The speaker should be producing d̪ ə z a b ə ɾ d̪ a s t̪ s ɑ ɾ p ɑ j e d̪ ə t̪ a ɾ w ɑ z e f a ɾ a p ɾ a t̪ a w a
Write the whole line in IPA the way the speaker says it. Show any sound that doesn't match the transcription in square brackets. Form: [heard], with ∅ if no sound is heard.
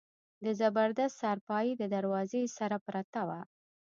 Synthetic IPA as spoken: d̪ ə z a b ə ɾ d̪ a s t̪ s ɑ ɾ p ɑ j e d̪ ə [d̪] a ɾ w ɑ z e [s] a ɾ a p ɾ a t̪ a w a